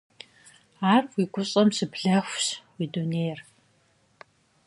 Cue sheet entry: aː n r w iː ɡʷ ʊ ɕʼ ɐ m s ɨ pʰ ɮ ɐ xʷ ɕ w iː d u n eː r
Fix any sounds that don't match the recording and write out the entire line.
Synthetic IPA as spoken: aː r w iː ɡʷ ʊ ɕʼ ɐ m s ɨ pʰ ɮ ɐ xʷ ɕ w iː d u n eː r